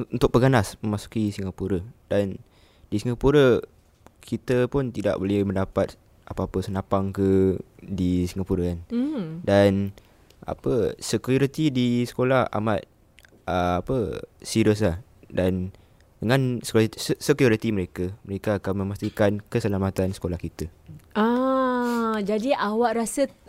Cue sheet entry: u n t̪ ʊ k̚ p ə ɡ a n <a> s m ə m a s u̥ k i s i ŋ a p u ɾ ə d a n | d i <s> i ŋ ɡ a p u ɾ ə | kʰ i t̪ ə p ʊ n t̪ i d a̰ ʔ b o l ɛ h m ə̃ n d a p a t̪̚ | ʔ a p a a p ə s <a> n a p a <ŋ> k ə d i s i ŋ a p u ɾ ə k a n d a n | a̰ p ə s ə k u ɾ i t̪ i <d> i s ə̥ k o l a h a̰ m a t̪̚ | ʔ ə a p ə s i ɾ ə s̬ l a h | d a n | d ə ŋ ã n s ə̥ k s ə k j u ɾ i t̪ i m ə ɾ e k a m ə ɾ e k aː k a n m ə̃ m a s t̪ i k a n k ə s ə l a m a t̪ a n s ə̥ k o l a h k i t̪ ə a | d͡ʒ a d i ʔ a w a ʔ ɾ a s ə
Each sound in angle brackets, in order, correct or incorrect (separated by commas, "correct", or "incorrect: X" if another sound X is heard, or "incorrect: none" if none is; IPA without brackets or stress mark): correct, correct, incorrect: ə, correct, correct